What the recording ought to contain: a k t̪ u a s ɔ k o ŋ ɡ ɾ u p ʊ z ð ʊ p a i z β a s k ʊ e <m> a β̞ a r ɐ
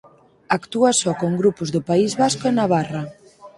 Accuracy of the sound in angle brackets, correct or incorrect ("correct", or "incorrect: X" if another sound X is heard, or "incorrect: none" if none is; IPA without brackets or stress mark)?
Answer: incorrect: n